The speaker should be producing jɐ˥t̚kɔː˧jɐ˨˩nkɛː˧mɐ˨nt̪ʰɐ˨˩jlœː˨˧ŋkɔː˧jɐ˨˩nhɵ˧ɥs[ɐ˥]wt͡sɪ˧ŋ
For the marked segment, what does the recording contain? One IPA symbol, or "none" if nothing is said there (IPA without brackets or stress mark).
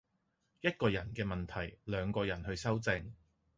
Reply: ɐ˥